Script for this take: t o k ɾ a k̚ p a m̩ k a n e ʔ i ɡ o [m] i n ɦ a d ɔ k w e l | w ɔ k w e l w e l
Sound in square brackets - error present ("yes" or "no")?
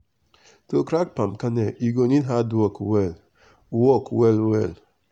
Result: yes